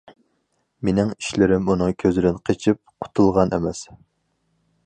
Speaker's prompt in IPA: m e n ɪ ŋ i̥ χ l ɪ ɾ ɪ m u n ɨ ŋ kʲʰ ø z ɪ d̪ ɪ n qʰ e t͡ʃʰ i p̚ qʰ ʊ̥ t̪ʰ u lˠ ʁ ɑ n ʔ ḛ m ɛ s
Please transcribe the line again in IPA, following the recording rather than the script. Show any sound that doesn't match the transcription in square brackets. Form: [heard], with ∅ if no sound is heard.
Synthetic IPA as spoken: m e n ɪ ŋ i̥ [ʃ] l ɪ ɾ ɪ m u n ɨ ŋ kʲʰ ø z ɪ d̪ ɪ n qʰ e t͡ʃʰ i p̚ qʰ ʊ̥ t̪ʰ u lˠ ʁ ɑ n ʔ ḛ m ɛ s